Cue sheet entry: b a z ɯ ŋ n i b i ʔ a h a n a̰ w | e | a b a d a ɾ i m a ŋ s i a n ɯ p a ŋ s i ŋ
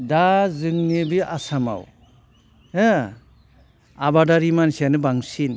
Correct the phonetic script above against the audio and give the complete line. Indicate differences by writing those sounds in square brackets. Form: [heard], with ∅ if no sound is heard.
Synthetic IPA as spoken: [d] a z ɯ ŋ n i b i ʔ a [s] a [m] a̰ w | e | a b a d a ɾ i m a [n] s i a n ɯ [b] a ŋ s i [n]